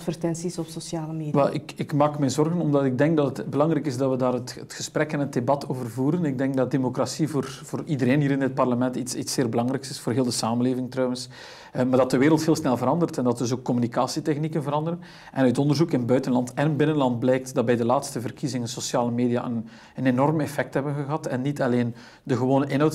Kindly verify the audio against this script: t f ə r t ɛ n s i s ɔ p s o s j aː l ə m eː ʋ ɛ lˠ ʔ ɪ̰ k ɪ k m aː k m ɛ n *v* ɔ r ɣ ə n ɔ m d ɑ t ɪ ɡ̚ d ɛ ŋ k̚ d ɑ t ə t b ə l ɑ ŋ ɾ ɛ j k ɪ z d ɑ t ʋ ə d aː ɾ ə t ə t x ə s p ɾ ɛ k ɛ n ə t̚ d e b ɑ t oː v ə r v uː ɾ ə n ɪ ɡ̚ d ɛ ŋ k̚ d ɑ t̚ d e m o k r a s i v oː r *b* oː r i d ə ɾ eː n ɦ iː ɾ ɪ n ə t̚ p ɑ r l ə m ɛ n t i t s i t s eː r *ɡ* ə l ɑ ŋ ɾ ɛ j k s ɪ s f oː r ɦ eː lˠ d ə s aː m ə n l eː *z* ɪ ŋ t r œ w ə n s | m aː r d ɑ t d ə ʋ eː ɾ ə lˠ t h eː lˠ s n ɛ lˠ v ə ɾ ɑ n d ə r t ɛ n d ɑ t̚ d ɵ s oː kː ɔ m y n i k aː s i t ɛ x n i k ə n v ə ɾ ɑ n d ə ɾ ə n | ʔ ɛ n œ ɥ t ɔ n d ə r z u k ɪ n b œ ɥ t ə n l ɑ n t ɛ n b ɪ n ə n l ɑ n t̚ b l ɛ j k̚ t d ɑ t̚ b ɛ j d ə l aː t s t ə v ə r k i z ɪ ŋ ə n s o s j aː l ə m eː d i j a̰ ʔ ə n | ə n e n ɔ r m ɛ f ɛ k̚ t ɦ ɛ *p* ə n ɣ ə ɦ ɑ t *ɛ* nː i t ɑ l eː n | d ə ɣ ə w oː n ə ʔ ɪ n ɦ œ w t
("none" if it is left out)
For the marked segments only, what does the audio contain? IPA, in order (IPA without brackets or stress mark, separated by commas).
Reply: z, v, b, v, b, ɛ